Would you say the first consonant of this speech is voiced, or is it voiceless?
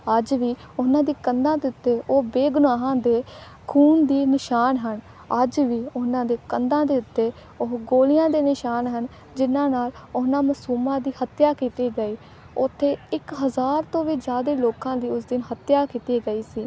voiced